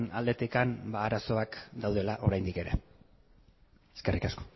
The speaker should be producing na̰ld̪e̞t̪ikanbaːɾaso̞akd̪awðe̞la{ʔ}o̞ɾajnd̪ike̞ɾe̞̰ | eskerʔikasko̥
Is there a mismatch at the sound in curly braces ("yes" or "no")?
no